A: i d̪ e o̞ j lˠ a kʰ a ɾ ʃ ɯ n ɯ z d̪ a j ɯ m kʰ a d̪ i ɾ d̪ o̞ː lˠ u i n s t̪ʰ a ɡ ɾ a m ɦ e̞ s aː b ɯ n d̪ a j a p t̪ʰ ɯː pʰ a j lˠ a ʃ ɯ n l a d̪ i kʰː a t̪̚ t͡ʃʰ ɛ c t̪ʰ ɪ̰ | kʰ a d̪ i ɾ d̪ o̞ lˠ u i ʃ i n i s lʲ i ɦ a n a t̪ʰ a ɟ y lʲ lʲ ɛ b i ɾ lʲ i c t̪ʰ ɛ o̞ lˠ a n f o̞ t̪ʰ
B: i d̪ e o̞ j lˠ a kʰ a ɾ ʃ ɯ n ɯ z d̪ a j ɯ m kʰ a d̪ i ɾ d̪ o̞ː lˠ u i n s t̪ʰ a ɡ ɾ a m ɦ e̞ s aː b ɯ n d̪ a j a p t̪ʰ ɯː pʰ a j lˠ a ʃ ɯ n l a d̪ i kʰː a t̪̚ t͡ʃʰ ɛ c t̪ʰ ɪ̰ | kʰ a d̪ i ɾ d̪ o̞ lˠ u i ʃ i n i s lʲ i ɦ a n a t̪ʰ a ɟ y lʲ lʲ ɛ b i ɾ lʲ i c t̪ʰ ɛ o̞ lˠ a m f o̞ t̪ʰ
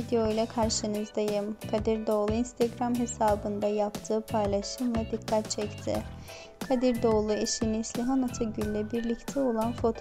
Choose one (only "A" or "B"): A